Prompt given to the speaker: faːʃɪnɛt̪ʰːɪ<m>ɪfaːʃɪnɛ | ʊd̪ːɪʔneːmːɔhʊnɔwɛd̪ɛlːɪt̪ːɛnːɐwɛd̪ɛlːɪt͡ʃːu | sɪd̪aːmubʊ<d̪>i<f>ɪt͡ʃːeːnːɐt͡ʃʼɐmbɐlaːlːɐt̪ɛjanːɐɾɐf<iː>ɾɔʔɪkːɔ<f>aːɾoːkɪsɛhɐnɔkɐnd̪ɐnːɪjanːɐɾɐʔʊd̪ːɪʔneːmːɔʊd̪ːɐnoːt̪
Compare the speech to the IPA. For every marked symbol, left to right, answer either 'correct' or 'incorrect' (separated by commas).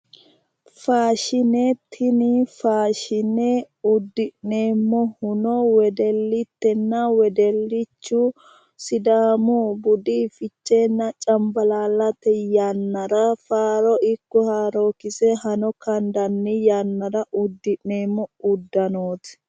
incorrect, correct, correct, incorrect, incorrect